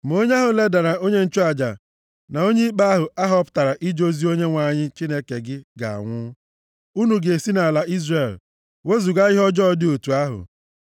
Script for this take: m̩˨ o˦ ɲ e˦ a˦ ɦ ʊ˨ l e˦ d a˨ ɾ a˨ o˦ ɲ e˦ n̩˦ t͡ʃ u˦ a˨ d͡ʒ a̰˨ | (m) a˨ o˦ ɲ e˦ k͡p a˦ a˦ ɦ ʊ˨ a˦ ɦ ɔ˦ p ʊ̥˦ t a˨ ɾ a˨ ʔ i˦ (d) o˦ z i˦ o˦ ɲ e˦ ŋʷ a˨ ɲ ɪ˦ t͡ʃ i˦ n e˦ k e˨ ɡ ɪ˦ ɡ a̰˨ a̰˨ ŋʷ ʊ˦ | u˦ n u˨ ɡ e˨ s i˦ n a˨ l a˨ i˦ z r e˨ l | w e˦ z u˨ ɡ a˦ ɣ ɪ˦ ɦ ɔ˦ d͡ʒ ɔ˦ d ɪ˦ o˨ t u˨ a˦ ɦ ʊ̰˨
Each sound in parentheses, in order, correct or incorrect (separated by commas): incorrect, incorrect